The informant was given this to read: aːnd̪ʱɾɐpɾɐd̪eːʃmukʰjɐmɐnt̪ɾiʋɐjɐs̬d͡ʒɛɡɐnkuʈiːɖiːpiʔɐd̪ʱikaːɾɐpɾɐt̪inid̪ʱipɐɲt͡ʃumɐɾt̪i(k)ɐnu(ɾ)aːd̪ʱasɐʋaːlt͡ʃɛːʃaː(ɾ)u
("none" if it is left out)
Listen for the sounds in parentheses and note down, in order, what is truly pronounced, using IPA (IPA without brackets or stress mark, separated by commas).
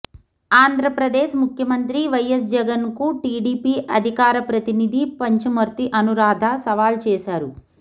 ʔ, ɾ, ɾ